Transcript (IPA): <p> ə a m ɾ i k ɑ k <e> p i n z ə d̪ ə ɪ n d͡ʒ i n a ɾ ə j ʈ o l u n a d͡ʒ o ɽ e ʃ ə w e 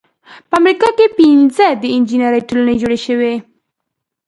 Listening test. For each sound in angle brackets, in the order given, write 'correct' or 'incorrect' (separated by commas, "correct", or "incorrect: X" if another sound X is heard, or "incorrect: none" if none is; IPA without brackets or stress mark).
correct, correct